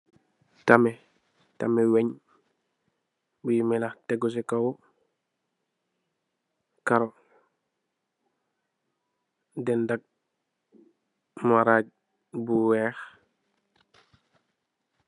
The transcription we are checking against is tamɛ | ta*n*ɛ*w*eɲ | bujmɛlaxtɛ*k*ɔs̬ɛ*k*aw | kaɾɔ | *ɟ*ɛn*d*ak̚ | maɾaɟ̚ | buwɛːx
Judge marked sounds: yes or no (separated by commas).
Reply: no, yes, no, yes, no, yes